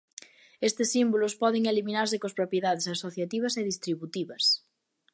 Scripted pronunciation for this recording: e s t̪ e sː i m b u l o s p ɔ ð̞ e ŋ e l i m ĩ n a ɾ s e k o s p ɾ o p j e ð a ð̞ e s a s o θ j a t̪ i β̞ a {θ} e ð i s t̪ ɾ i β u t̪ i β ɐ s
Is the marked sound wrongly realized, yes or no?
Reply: yes